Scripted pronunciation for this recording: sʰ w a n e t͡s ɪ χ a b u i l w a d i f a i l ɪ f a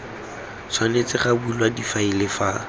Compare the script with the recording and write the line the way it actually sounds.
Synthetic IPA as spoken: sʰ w a n e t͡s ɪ χ a b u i l w a d i f a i l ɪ f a